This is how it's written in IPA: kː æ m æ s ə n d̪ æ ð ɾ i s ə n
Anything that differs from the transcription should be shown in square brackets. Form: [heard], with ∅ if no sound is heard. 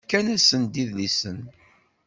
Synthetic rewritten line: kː æ [n] æ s ə n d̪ [i] ð [l] i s ə n

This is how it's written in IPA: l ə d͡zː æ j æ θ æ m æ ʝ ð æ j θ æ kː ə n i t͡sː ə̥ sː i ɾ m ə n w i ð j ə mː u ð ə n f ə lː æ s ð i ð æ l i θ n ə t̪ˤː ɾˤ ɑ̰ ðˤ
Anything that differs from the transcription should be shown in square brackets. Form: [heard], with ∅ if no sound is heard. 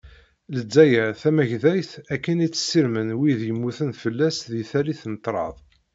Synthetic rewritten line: l ə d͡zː æ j æ θ æ m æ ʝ ð æ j θ æ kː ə n i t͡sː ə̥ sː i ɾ m ə n w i ð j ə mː u [θ] ə n f ə lː æ s ð i [θ] æ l i θ n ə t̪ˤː ɾˤ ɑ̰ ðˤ

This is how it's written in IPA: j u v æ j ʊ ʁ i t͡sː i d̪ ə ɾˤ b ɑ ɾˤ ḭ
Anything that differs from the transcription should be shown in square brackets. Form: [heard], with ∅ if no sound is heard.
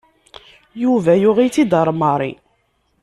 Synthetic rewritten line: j u v æ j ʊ ʁ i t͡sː i d̪ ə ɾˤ [m] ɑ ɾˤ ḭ

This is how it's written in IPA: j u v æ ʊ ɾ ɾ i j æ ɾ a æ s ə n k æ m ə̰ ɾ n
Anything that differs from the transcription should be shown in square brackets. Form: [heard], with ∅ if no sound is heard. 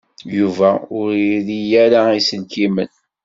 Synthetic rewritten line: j u v æ ʊ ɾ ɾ i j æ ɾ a [i] s ə n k [i] m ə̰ [∅] n

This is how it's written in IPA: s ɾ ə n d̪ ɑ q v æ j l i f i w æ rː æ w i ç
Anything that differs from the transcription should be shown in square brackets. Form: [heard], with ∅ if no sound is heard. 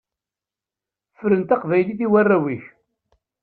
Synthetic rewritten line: [f] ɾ ə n [t̪] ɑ q v æ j l i [θ] i w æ rː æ w i ç

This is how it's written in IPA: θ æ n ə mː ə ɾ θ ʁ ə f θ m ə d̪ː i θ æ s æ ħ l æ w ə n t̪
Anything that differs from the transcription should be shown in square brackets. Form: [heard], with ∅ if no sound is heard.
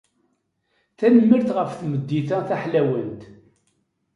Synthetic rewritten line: θ æ n ə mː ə ɾ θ ʁ ə f θ m ə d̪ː i θ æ [θ] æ ħ l æ w ə n t̪

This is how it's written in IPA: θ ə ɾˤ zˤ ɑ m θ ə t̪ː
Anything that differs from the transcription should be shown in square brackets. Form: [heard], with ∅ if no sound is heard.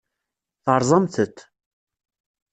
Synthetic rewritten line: θ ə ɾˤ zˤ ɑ m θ ə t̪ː

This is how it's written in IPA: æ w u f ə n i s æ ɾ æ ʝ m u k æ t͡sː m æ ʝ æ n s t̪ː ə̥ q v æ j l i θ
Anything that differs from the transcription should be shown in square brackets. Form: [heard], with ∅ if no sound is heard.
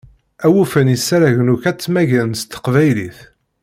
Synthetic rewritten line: æ w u f ə n i s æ ɾ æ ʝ [n] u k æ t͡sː m æ ʝ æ n s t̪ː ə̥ q v æ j l i θ

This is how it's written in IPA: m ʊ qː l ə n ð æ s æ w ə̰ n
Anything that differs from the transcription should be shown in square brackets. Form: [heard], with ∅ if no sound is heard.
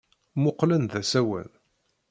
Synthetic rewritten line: m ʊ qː l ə n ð æ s æ w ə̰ n

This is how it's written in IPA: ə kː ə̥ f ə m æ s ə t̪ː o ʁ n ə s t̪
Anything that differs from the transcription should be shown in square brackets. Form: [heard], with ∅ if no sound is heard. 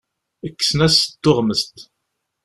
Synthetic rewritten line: ə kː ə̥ [s] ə [n] æ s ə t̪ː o ʁ [m] ə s t̪

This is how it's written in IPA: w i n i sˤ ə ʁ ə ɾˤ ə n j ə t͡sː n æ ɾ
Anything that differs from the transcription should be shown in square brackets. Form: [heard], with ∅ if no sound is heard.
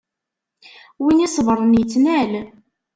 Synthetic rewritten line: w i n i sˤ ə [v] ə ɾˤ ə n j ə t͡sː n æ [l]

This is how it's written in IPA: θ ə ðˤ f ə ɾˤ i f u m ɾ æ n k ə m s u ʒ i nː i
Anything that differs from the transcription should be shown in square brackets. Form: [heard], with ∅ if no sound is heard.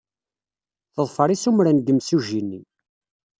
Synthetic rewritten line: θ ə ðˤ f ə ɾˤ i [s] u m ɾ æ n [ɡ] ə m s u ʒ i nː i

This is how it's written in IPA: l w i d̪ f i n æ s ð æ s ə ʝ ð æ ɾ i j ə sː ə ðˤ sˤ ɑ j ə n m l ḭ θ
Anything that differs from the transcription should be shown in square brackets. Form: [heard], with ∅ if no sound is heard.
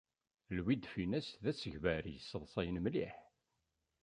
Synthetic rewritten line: l w i d̪ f i n æ s ð æ s ə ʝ [v] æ ɾ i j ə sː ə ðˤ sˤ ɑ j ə n m l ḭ [ħ]

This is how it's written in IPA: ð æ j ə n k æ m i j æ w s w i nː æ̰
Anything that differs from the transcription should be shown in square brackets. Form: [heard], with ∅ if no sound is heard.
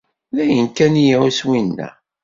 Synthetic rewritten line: ð æ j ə n k æ [n] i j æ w s w i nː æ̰

